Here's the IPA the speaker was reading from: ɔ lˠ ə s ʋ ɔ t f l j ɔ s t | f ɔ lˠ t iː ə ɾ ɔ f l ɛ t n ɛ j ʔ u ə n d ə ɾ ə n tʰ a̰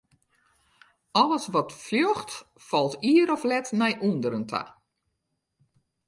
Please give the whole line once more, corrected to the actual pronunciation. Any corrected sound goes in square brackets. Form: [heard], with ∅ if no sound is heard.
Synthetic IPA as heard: ɔ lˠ ə s ʋ ɔ t f l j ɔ [x] t | f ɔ lˠ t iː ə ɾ ɔ f l ɛ t n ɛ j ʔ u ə n d ə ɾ ə n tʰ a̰